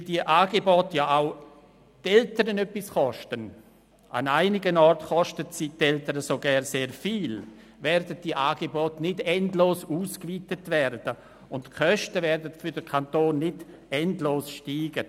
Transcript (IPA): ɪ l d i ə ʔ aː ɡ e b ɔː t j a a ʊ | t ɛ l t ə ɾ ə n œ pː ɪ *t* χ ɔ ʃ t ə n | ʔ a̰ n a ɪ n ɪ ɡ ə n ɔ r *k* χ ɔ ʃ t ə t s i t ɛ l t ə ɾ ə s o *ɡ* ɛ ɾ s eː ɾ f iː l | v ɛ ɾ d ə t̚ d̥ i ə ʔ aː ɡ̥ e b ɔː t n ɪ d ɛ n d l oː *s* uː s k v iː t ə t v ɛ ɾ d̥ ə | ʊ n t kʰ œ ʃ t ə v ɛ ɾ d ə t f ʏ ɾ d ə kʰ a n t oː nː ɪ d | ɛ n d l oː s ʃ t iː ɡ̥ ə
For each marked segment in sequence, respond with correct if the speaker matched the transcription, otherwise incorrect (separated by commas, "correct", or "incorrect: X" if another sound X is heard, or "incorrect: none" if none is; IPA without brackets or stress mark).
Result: incorrect: s, incorrect: t, correct, correct